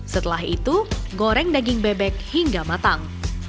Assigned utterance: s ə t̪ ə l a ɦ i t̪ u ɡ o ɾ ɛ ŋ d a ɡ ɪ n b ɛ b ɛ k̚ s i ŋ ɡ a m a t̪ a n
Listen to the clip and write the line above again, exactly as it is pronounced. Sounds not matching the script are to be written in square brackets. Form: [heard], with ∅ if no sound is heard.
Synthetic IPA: s ə t̪ ə l a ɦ i t̪ u ɡ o ɾ ɛ ŋ d a ɡ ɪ [ŋ] b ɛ b ɛ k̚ [h] i ŋ ɡ a m a t̪ a [ŋ]

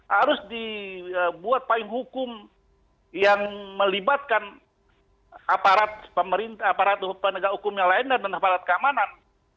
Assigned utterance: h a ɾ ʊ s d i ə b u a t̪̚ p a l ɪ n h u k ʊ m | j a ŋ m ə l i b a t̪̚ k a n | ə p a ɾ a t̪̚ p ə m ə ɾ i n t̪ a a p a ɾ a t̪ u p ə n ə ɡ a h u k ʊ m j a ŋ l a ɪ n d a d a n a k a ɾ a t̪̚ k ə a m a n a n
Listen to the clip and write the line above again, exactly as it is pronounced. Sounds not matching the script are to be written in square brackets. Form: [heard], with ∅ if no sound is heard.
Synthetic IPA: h a ɾ ʊ s d i ə b u a t̪̚ p a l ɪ [ŋ] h u k ʊ m | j a ŋ m ə l i b a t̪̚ k a n | [a] p a ɾ a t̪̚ p ə m ə ɾ i n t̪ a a p a ɾ a t̪ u p ə n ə ɡ a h u k ʊ m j a ŋ l a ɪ n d a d a n a [p] a ɾ a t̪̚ k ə a m a n a n

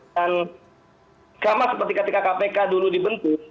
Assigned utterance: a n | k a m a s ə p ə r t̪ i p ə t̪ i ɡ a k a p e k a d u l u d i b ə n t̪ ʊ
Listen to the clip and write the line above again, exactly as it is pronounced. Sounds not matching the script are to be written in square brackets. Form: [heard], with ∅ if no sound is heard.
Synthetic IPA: a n | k a m a s ə p ə r t̪ i [k] ə t̪ i [k] a k a p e k a d u l u d i b ə n t̪ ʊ

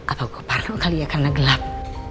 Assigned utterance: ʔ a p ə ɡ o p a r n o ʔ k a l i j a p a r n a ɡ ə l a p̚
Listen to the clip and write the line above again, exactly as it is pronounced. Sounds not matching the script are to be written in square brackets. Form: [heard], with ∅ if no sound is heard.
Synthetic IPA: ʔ a p [a] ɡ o p a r n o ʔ k a l i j a [k] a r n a ɡ ə l a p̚

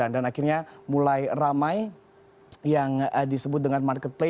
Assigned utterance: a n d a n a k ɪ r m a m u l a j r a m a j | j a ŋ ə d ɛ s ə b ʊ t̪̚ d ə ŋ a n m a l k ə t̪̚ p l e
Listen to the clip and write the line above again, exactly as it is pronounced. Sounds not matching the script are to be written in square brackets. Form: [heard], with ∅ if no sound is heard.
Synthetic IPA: a n d a n a k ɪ r [ɲ] a m u l a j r a m a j | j a ŋ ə d [i] s ə b ʊ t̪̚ d ə ŋ a n m a [r] k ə t̪̚ p l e

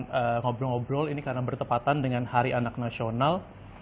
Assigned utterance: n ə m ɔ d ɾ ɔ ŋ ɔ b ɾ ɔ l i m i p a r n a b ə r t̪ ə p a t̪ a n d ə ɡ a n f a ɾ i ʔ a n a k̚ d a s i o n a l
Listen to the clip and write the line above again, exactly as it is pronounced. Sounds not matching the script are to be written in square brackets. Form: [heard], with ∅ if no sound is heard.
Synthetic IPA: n ə [ŋ] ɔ [b] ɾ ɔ ŋ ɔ b ɾ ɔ l i [n] i [k] a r n a b ə r t̪ ə p a t̪ a n d ə [ŋ] a n [h] a ɾ i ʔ a n a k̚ [n] a s i o n a l

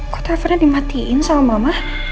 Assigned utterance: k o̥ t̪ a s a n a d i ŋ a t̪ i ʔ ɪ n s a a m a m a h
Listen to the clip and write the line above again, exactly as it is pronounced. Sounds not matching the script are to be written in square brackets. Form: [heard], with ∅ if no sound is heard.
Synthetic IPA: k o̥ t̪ a [f] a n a d i [m] a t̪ i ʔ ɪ n s a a m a m a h

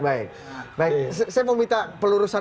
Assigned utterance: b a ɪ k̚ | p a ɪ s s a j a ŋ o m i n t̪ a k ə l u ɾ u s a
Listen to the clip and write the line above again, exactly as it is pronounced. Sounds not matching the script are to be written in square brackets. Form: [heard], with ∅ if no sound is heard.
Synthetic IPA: b a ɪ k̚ | [b] a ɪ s s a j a [m] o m i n t̪ a [p] ə l u ɾ u s a

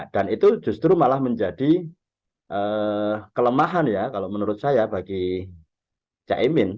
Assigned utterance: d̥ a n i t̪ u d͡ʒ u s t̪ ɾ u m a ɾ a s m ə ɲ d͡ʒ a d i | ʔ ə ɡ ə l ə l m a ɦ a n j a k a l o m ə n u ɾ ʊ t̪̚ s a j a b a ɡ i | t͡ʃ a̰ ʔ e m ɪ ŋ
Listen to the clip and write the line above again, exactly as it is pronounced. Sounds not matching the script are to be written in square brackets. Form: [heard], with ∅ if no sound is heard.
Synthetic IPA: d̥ a n i t̪ u d͡ʒ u s t̪ ɾ u m a [l] a [h] m ə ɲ d͡ʒ a d i | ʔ ə [k] ə l ə [∅] m a ɦ a n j a k a l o m ə n u ɾ ʊ t̪̚ s a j a b a ɡ i | t͡ʃ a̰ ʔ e m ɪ [n]

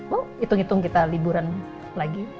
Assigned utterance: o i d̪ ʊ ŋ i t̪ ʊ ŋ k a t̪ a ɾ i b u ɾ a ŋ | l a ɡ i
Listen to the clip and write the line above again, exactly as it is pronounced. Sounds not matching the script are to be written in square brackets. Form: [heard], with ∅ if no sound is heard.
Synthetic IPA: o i [t̪] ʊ ŋ i t̪ ʊ ŋ k [i] t̪ a [l] i b u ɾ a [n] | l a ɡ i

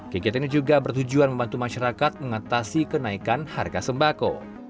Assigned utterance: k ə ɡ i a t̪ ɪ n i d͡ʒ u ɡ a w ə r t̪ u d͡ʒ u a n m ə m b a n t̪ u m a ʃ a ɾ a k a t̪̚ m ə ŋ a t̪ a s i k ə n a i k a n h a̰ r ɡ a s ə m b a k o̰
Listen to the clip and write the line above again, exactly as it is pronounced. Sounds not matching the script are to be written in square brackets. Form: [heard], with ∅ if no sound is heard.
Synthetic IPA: k ə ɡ i a t̪ [i] n i d͡ʒ u ɡ a [b] ə r t̪ u d͡ʒ u a n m ə m b a n t̪ u m a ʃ a ɾ a k a t̪̚ m ə ŋ a t̪ a s i k ə n a i k a n h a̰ r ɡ a s ə m b a k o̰

